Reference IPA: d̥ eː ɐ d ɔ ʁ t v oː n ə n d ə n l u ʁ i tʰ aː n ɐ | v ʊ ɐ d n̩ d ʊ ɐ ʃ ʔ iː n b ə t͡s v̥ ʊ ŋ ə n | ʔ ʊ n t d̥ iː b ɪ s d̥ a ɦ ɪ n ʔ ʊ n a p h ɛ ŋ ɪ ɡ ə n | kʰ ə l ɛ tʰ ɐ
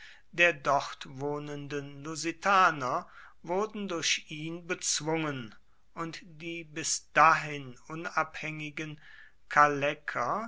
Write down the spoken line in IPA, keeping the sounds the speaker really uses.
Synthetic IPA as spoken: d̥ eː ɐ d ɔ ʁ t v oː n ə n d ə n l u z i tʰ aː n ɐ | v ʊ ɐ d n̩ d ʊ ɐ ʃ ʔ iː n b ə t͡s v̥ ʊ ŋ ə n | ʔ ʊ n t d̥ iː b ɪ s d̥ a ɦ ɪ n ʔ ʊ n a p h ɛ ŋ ɪ ɡ ə n | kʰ a l ɛ kʰ ɐ

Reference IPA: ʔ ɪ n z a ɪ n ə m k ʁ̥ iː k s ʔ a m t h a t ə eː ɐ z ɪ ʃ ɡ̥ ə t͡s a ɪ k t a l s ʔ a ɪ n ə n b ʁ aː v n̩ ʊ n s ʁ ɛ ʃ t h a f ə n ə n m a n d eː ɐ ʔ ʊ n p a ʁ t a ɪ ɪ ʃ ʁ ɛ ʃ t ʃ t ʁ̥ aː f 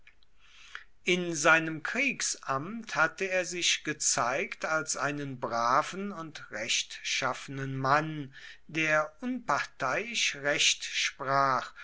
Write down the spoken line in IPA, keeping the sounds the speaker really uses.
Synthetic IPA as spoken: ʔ ɪ n z a ɪ n ə m k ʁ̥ iː k s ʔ a m t h a t ə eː ɐ z ɪ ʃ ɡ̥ ə t͡s a ɪ k t a l s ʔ a ɪ n ə n b ʁ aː v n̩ ʊ n t ʁ ɛ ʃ t ʃ a f ə n ə n m a n d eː ɐ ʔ ʊ n p a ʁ t a ɪ ɪ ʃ ʁ ɛ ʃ t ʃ p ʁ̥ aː χ

